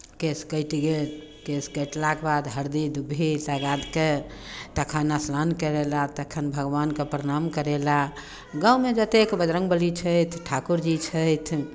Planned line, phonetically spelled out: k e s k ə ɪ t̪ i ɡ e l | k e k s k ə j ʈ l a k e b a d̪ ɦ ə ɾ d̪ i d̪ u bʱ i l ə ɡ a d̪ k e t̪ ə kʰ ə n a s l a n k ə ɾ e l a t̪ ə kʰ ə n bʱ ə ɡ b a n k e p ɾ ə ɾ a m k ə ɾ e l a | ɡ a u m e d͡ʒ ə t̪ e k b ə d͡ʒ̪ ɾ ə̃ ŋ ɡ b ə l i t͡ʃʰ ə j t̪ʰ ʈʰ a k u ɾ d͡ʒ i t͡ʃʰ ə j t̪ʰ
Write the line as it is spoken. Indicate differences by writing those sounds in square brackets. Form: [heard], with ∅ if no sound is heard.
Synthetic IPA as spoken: k e s k ə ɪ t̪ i ɡ e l | k e [∅] s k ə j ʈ l a k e b a d̪ ɦ ə ɾ d̪ i d̪ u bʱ i l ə ɡ a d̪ k e t̪ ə kʰ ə n a s l a n k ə ɾ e l a t̪ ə kʰ ə n bʱ ə ɡ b a n k e p ɾ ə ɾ a m k ə ɾ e l a | ɡ a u m e d͡ʒ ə t̪ e k b ə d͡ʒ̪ ɾ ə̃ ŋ ɡ b ə l i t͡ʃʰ ə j t̪ʰ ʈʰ a k u ɾ d͡ʒ i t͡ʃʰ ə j t̪ʰ